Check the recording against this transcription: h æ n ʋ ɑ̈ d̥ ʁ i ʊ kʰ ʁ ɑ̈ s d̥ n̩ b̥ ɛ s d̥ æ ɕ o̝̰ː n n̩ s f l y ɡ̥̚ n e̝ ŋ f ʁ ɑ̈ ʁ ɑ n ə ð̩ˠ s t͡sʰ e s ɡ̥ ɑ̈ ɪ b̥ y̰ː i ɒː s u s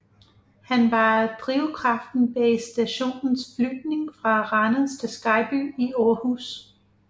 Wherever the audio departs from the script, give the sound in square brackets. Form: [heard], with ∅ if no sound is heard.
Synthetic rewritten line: h æ n ʋ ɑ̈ d̥ ʁ i ʊ kʰ ʁ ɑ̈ [f] d̥ n̩ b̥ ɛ s d̥ æ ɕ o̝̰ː n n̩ s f l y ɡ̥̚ n e̝ ŋ f ʁ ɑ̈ ʁ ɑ n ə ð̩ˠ s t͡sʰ e s ɡ̥ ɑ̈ ɪ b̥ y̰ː i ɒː [h] u s